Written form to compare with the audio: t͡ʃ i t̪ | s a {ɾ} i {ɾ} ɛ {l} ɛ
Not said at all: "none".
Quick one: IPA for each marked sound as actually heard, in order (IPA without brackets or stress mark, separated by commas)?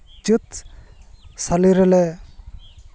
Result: l, ɾ, l